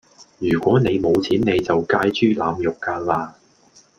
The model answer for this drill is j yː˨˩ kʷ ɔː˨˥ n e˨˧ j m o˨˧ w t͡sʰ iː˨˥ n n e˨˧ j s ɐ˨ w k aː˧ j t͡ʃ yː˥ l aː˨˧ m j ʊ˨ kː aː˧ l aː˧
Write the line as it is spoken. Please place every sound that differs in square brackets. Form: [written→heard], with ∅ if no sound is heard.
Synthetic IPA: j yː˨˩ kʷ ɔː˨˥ n e˨˧ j m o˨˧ w t͡sʰ iː˨˥ n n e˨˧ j [s→t͡s] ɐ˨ w k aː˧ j t͡ʃ yː˥ l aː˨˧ m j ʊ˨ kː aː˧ l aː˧

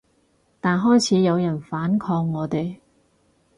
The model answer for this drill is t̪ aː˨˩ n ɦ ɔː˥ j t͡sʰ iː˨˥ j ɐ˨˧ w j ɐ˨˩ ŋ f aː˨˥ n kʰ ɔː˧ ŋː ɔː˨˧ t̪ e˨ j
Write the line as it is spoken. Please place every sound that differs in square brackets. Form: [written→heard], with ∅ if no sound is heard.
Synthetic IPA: t̪ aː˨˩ n ɦ ɔː˥ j t͡sʰ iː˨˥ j ɐ˨˧ w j ɐ˨˩ [ŋ→n] f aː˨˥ n kʰ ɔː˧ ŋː ɔː˨˧ t̪ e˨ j

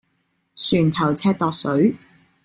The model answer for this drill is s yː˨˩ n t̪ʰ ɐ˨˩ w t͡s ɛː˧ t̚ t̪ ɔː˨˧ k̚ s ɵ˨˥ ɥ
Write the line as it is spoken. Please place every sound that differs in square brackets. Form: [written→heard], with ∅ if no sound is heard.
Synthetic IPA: s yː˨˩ n t̪ʰ ɐ˨˩ w [t͡s→t͡sʰ] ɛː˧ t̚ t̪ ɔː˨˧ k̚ s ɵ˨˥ ɥ

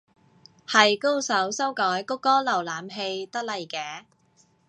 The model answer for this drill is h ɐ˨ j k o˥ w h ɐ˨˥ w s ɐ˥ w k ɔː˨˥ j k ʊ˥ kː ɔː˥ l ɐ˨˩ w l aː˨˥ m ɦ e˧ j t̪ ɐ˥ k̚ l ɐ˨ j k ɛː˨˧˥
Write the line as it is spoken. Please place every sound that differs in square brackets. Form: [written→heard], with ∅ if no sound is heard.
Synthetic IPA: h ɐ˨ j k o˥ w [h→s] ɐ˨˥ w s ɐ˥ w k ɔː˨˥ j k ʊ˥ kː ɔː˥ l ɐ˨˩ w l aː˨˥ m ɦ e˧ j t̪ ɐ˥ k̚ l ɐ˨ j k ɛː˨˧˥

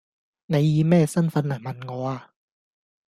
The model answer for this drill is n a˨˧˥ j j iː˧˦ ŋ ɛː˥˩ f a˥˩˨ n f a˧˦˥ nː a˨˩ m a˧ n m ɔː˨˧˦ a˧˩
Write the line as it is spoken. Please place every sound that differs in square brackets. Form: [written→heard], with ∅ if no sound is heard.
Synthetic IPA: n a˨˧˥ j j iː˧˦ [ŋ→m] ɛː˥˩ [f→s] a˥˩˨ n f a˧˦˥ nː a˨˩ m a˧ n [m→ŋ] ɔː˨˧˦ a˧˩

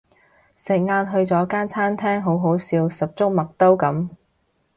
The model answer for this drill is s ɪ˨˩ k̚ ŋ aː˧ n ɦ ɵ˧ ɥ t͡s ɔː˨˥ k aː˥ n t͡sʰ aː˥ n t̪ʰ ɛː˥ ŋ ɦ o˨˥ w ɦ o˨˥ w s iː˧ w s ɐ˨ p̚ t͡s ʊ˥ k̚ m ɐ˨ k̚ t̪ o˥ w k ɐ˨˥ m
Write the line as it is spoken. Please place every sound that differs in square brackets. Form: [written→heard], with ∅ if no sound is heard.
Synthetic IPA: s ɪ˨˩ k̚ ŋ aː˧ n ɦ ɵ˧ ɥ t͡s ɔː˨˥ k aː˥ n t͡sʰ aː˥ n t̪ʰ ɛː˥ ŋ ɦ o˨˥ w ɦ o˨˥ w s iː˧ w s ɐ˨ p̚ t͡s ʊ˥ k̚ m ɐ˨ k̚ t̪ o˥ w k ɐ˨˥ m

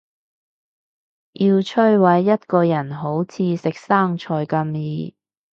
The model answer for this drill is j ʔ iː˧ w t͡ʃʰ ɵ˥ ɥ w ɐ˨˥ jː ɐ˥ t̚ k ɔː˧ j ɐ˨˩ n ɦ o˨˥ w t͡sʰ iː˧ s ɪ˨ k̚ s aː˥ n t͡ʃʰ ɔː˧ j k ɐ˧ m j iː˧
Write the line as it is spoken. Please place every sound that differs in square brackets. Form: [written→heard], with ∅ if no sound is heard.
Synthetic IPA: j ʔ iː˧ w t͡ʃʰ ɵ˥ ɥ w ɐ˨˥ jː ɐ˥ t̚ k ɔː˧ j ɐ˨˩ n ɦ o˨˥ w t͡sʰ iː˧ s ɪ˨ k̚ s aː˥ [n→ŋ] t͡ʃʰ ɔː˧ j k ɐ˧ m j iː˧

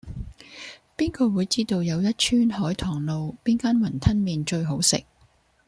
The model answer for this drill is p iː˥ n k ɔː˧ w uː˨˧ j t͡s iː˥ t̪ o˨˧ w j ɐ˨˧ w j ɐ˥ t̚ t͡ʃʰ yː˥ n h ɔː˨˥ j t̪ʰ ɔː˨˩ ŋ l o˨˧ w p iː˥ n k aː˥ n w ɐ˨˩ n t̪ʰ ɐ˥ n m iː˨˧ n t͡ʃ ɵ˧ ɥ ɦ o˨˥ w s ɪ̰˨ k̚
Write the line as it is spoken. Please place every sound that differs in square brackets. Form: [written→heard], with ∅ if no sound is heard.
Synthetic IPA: p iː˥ n k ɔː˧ w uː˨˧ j t͡s iː˥ t̪ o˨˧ w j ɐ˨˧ w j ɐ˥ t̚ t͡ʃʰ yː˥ n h ɔː˨˥ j t̪ʰ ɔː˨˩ ŋ l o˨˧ w p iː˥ n k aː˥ n w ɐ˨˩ n t̪ʰ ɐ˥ n m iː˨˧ n t͡ʃ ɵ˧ ɥ ɦ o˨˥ w s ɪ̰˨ k̚

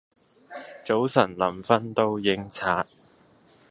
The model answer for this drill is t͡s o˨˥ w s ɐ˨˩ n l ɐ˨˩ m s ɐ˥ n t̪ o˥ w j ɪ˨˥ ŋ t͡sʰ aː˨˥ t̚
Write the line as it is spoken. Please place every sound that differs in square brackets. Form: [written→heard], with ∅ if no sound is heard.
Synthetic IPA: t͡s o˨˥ w s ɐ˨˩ n l ɐ˨˩ m [s→f] ɐ˥ n t̪ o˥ w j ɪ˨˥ ŋ t͡sʰ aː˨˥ t̚

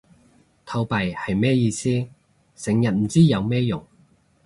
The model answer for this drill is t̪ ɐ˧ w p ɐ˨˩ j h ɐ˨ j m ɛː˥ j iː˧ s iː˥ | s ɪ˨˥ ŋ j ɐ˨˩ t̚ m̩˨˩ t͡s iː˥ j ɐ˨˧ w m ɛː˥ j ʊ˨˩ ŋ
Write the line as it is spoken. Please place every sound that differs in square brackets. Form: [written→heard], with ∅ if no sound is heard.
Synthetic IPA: [t̪→t̪ʰ] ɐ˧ w p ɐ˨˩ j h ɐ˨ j m ɛː˥ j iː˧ s iː˥ | s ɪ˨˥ ŋ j ɐ˨˩ t̚ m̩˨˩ t͡s iː˥ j ɐ˨˧ w m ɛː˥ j ʊ˨˩ ŋ

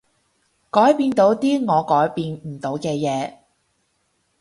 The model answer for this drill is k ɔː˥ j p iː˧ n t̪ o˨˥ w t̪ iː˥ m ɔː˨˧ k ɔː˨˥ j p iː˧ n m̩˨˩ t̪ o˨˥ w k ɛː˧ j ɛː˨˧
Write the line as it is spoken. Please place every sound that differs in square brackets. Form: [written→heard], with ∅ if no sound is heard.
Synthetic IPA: k [ɔː˥→ɔː˨˥] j p iː˧ n t̪ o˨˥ w t̪ iː˥ [m→ŋ] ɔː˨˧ k ɔː˨˥ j p iː˧ n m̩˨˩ t̪ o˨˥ w k ɛː˧ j ɛː˨˧

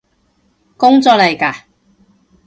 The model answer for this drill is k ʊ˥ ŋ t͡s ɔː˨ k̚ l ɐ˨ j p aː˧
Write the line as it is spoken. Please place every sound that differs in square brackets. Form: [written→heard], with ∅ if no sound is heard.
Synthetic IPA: k ʊ˥ ŋ t͡s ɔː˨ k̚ l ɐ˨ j [p→k] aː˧

